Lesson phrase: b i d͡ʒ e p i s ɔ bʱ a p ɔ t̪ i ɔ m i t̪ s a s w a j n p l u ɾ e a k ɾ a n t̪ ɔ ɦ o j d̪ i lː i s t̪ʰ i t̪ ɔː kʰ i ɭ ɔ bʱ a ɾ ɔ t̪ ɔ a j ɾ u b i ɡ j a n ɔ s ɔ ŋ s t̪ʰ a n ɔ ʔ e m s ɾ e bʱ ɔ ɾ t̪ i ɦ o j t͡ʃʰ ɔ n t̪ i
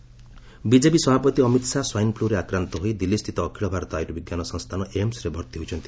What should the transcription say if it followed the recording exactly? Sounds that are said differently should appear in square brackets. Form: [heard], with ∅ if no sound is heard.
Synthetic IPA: b i d͡ʒ e p i s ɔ bʱ a p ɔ t̪ i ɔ m i t̪ s a s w a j n p l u ɾ e a k ɾ a n t̪ ɔ ɦ o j d̪ i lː i s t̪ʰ i t̪ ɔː kʰ i ɭ ɔ bʱ a ɾ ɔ t̪ ɔ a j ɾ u b i ɡ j a n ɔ s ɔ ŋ s t̪ʰ a n ɔ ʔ e m s ɾ e bʱ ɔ ɾ t̪ i ɦ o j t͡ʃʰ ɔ n t̪ i

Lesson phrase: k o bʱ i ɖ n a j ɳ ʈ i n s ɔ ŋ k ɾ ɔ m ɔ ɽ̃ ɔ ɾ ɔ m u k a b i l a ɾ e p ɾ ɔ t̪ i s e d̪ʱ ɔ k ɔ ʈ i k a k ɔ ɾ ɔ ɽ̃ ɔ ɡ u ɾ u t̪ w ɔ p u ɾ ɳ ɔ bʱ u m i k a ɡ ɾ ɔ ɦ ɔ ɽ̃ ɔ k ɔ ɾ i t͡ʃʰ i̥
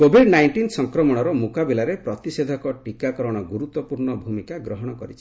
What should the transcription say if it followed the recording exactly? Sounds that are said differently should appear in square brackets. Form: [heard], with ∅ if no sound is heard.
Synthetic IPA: k o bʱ i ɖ n a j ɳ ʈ i n s ɔ ŋ k ɾ ɔ m ɔ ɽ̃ ɔ ɾ ɔ m u k a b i l a ɾ e p ɾ ɔ t̪ i s e d̪ʱ ɔ k ɔ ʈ i k a k ɔ ɾ ɔ ɽ̃ ɔ ɡ u ɾ u t̪ w ɔ p u ɾ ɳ ɔ bʱ u m i k a ɡ ɾ ɔ ɦ ɔ ɽ̃ ɔ k ɔ ɾ i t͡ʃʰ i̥

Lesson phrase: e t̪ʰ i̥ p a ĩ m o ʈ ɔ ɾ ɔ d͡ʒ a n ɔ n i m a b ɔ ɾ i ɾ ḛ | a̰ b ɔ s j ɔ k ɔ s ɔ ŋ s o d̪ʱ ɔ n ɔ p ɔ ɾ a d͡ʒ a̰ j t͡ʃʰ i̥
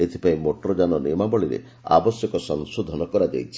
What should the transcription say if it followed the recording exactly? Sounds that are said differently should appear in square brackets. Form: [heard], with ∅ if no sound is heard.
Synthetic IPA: e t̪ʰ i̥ p a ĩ m o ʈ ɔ ɾ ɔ d͡ʒ a n ɔ n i m a b ɔ [ɭ] i ɾ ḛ | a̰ b ɔ s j ɔ k ɔ s ɔ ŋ s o d̪ʱ ɔ n ɔ [k] ɔ ɾ a d͡ʒ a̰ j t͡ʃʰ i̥

